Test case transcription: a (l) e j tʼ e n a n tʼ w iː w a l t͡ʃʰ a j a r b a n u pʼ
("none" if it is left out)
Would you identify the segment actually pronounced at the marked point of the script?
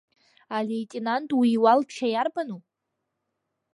l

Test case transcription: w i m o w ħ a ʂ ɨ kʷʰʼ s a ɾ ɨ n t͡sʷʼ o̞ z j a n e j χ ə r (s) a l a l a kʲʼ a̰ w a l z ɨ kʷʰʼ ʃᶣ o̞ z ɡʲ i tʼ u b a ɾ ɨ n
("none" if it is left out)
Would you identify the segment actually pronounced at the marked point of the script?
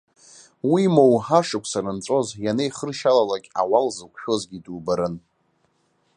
ʃ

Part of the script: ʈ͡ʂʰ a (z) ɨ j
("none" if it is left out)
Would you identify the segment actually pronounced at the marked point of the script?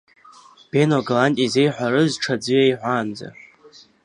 d͡z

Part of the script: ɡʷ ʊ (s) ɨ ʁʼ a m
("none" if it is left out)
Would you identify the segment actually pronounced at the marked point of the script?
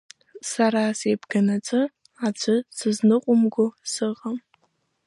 s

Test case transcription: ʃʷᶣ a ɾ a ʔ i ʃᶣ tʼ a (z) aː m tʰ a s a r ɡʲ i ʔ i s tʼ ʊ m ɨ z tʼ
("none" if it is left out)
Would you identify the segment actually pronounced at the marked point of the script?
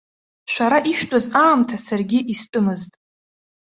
z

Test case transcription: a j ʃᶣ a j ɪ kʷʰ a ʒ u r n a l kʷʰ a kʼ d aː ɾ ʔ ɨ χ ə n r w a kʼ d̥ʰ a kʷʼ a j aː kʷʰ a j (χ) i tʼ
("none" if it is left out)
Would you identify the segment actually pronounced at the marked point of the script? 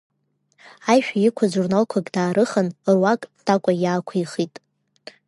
χ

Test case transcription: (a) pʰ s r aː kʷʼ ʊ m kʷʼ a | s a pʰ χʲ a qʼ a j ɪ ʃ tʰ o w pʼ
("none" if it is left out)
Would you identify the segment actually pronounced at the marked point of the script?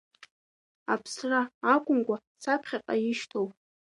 a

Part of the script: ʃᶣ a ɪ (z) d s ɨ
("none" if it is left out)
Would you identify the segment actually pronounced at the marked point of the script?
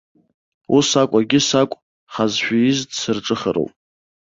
z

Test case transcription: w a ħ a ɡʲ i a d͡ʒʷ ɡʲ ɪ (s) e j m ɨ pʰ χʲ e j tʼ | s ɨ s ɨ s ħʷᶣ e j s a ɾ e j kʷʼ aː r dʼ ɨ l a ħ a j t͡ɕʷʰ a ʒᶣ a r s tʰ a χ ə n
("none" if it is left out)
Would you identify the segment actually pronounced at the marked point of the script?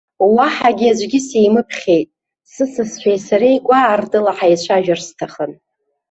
s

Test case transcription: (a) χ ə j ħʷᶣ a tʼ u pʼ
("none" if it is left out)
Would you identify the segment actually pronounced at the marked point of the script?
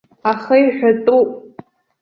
a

